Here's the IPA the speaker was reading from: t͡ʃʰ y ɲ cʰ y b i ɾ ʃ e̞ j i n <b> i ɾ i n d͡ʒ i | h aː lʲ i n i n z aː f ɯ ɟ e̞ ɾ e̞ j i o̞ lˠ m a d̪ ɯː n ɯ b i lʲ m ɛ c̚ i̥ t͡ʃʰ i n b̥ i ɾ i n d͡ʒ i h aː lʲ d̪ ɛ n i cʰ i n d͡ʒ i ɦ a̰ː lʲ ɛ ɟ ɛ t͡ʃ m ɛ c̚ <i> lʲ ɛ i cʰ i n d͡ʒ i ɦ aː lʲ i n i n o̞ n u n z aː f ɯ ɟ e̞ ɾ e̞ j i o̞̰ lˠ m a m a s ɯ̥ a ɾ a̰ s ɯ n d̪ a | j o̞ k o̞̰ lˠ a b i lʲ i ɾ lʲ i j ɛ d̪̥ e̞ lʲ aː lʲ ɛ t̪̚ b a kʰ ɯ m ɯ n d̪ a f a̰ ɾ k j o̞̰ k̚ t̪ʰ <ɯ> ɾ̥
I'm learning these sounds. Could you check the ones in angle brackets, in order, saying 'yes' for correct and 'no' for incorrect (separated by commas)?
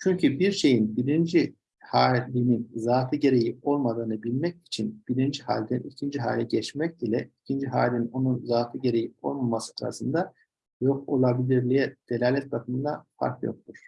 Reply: yes, yes, no